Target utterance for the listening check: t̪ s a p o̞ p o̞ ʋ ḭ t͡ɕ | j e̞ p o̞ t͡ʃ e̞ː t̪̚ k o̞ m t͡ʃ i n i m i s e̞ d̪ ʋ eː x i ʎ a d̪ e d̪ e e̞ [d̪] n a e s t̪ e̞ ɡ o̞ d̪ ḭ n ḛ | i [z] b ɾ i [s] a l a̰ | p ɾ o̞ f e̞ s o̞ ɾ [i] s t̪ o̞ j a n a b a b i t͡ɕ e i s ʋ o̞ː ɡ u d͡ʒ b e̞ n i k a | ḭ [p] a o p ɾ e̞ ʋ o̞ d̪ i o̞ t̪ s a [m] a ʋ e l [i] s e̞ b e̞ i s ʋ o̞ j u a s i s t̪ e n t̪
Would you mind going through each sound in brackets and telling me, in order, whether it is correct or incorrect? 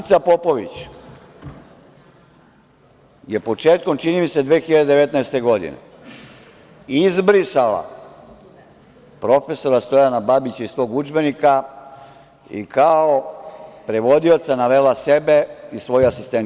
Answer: incorrect: t̪, correct, correct, incorrect: a, incorrect: k, incorrect: n, incorrect: a

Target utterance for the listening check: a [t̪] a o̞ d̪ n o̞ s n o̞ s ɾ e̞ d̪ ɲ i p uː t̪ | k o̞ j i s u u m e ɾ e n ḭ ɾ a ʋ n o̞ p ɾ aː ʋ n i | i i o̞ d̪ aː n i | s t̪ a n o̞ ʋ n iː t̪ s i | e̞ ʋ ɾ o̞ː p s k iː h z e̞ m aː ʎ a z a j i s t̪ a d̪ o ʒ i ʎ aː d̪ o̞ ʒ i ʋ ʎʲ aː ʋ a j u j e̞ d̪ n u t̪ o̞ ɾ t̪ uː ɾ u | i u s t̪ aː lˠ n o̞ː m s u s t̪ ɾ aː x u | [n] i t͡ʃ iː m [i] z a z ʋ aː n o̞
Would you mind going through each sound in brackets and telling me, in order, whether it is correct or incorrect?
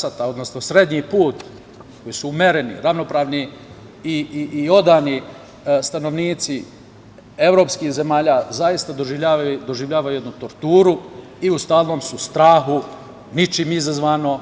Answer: correct, correct, correct

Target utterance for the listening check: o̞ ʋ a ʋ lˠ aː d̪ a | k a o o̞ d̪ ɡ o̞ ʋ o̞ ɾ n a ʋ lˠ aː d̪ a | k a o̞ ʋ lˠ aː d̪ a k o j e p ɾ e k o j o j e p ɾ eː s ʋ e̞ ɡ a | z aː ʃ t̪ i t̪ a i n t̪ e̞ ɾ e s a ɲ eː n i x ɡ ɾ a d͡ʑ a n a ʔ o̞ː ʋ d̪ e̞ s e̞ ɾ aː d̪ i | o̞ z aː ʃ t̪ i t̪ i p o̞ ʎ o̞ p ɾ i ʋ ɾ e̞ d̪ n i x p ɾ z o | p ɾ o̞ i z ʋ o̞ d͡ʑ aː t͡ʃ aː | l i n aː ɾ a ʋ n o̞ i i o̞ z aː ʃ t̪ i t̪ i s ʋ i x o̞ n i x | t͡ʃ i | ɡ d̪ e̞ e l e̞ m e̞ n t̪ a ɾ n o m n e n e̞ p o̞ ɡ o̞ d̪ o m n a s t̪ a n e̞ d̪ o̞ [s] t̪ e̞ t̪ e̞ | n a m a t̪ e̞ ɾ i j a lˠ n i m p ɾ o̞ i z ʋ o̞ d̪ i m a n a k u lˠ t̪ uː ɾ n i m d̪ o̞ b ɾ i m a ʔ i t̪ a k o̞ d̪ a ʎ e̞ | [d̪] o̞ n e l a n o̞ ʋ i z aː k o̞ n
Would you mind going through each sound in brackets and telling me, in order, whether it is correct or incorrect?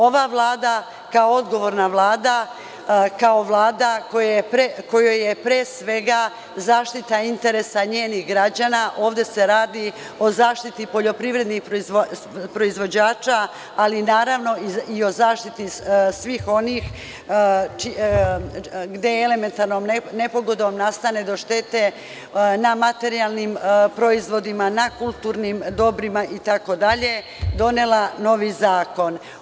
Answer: incorrect: ʃ, correct

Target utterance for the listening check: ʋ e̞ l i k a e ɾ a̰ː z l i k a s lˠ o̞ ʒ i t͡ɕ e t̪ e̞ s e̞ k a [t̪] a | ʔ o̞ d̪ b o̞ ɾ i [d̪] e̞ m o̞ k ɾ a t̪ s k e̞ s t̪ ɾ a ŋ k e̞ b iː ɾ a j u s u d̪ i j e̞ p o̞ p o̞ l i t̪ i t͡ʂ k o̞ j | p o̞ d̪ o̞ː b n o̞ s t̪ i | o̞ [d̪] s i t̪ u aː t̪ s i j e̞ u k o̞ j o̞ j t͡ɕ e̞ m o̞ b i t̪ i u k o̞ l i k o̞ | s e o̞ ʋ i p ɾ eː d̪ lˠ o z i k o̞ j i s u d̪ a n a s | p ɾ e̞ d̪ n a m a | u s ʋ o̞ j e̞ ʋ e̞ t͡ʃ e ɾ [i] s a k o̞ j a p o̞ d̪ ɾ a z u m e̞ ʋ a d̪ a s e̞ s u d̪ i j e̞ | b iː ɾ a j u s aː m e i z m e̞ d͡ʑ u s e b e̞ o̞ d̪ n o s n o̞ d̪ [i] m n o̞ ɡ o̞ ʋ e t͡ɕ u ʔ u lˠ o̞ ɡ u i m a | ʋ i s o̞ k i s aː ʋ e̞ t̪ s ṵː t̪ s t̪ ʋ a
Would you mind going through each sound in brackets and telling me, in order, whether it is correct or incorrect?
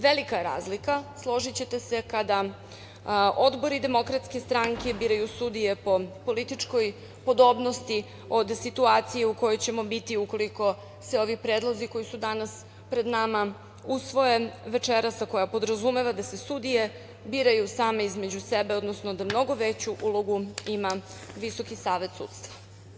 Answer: incorrect: d̪, correct, correct, incorrect: a, incorrect: a

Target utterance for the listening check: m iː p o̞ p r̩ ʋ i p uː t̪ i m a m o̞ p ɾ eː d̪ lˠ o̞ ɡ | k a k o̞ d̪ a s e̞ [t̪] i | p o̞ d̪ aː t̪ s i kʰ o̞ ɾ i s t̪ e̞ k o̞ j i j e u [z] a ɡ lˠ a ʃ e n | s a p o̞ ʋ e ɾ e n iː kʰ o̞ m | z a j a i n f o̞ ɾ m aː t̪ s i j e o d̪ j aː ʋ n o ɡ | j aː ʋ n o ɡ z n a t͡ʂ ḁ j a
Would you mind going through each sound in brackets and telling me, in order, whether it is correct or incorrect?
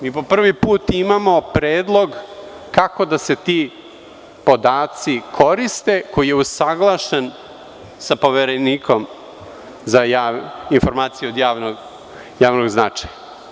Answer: correct, incorrect: s

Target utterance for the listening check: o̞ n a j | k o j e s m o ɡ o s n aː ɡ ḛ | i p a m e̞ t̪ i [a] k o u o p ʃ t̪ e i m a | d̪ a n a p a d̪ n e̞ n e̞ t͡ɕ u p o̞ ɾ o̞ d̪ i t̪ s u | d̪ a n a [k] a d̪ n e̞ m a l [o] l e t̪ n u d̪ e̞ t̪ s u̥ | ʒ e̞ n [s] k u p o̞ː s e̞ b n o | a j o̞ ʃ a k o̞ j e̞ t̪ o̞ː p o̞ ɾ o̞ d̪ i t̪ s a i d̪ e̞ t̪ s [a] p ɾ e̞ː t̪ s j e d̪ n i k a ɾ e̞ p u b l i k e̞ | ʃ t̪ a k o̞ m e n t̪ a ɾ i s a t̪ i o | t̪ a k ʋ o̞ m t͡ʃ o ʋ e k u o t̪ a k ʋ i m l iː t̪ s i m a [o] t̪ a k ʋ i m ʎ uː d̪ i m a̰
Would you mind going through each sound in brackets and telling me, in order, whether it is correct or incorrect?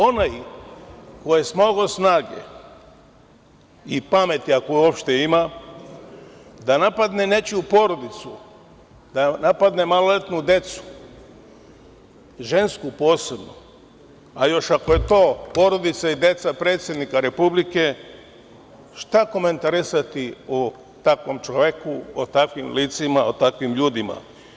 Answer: correct, incorrect: p, correct, correct, correct, correct

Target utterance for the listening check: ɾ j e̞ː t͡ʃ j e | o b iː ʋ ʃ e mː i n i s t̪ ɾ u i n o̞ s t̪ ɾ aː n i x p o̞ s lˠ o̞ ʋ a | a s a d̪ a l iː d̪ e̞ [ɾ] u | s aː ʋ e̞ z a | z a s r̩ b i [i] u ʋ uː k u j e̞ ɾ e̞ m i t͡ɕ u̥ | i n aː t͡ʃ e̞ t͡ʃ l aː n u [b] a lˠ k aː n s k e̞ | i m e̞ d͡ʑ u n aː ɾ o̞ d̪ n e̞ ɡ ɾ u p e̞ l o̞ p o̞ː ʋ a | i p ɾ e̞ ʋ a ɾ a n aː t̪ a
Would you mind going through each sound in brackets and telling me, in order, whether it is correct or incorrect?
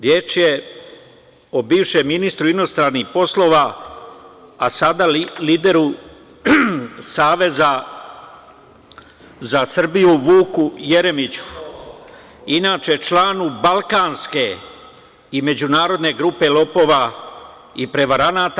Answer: correct, incorrect: j, correct

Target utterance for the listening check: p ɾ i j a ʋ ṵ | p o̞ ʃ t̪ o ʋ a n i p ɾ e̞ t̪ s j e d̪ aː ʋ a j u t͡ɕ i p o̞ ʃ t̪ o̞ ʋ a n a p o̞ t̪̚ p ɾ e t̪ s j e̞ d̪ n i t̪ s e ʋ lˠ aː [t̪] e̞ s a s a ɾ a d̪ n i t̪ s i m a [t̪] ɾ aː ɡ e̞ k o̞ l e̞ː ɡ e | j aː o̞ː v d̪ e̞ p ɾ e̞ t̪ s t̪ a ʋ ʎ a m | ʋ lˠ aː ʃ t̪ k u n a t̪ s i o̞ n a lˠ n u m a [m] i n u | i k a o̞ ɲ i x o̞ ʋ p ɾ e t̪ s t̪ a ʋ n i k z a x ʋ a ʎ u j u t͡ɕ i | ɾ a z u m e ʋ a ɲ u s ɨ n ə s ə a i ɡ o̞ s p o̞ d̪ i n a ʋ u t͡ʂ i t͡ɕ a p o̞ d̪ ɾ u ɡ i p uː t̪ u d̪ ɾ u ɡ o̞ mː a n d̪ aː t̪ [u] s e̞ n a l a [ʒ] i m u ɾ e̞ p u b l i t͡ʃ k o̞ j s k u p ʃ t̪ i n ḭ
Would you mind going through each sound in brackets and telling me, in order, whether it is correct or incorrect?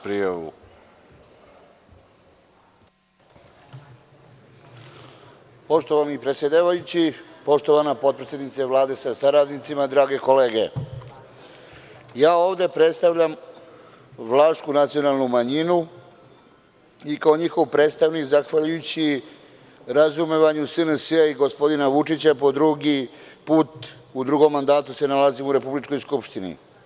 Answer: incorrect: d̪, incorrect: d̪, incorrect: ɲ, correct, incorrect: z

